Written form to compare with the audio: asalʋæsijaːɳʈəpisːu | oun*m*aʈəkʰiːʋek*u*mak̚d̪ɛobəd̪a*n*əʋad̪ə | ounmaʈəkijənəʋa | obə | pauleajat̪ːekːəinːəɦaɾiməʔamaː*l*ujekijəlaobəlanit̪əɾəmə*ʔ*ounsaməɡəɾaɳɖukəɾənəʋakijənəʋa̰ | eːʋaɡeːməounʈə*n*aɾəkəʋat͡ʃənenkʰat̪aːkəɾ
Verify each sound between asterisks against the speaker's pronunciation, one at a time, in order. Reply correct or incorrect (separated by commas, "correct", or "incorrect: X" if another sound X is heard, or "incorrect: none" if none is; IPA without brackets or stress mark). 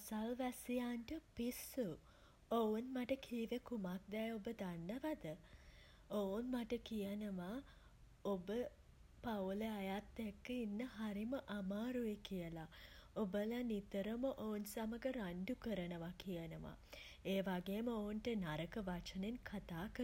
correct, correct, incorrect: nː, incorrect: ɾ, correct, correct